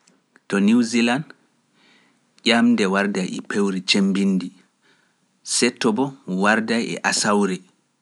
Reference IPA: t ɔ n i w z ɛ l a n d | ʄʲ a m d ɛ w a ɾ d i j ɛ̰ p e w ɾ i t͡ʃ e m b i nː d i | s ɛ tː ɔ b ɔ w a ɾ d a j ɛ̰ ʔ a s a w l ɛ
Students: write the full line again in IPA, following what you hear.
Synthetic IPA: t ɔ n i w z i l a n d | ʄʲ a m d ɛ w a ɾ d a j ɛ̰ p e w ɾ i t͡ʃ e m b i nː d i | s ɛ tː ɔ b ɔ w a ɾ d a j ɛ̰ ʔ a s a w ɾ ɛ